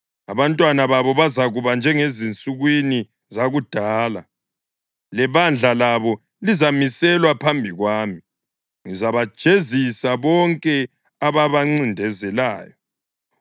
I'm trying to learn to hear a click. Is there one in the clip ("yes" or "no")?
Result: yes